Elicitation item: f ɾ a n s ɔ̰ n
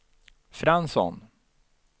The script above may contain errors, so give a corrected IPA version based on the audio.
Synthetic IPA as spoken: f ɾ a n s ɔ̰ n